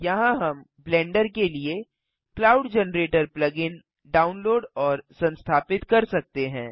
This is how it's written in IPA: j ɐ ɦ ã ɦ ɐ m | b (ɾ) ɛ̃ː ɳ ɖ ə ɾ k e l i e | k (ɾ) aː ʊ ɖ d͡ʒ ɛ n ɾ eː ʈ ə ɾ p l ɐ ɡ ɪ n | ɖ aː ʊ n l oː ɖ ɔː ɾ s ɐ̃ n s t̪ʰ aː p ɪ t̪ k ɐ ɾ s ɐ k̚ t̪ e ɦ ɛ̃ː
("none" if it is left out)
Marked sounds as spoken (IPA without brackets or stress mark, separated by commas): l, l